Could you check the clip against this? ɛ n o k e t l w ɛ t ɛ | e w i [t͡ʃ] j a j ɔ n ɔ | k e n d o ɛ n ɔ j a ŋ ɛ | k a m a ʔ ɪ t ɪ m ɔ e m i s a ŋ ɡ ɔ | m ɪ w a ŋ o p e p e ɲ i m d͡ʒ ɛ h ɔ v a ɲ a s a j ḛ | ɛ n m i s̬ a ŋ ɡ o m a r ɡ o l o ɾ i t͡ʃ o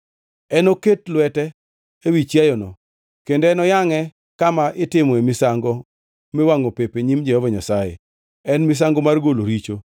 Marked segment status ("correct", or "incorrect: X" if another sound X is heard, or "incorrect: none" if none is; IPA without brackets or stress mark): correct